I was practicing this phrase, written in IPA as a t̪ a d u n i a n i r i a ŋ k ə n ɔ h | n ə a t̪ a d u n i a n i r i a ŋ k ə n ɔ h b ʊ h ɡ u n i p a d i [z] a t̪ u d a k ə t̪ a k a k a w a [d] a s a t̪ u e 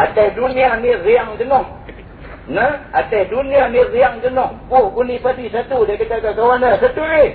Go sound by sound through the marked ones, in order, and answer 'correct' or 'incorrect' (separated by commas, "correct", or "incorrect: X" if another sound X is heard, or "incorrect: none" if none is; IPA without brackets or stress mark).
incorrect: s, incorrect: n